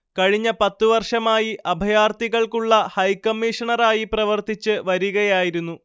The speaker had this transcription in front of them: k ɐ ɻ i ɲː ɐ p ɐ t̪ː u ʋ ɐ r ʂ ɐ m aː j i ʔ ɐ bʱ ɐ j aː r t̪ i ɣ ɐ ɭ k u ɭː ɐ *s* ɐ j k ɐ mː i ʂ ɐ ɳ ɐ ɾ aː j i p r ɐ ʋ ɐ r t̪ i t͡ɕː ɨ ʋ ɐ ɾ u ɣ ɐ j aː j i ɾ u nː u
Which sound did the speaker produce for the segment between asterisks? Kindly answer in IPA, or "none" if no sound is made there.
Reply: h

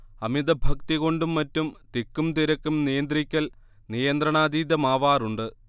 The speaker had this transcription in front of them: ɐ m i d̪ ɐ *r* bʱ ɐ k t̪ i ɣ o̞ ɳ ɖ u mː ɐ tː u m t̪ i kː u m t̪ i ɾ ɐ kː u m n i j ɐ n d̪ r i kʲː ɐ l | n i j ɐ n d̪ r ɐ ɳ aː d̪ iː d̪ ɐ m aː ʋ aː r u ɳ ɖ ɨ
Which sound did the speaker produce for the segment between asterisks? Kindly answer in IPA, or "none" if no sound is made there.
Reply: none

